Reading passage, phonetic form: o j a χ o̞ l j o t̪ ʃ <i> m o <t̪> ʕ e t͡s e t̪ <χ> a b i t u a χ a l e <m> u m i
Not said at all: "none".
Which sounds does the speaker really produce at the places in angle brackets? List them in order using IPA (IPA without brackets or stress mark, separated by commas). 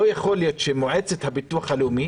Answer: e, none, h, none